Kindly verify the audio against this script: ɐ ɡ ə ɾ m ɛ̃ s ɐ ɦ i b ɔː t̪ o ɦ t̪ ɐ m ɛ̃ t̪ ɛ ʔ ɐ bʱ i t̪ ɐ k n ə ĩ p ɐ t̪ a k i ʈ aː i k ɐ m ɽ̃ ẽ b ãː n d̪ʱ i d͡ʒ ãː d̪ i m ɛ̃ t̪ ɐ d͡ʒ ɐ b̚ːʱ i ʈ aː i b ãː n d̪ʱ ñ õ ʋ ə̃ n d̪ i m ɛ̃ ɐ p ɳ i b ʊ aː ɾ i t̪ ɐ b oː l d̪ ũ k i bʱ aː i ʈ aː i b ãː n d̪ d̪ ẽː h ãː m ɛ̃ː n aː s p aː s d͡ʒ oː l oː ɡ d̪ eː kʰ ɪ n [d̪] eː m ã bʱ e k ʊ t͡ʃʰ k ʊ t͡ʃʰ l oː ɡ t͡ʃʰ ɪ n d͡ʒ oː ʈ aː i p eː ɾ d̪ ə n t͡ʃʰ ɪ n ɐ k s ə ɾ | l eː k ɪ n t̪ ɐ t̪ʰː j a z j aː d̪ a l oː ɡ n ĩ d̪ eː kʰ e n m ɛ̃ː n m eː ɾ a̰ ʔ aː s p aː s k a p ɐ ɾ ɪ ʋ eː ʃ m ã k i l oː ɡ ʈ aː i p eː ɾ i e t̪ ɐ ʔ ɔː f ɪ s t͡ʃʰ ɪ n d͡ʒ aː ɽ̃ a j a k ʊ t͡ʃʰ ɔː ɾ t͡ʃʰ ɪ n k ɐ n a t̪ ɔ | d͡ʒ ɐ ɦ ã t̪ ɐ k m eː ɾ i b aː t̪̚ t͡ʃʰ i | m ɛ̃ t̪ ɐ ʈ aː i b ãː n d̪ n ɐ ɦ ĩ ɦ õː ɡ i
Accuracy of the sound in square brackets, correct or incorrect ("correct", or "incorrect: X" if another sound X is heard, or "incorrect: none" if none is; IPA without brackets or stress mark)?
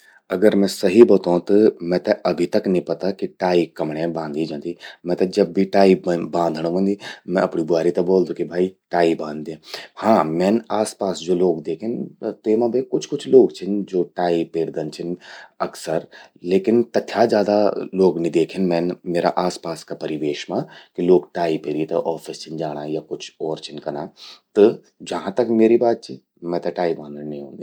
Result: incorrect: t̪